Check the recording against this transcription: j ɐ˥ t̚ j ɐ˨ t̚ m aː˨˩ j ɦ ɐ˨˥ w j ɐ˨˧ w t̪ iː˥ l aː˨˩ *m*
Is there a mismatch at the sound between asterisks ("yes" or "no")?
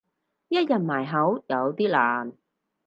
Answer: yes